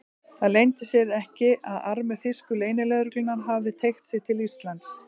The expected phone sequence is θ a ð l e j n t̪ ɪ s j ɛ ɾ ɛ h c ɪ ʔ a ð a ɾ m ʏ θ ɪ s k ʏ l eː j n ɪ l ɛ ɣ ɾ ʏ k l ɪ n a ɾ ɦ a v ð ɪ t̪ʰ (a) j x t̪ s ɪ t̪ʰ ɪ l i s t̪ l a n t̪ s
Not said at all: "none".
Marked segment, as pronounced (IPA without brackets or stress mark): e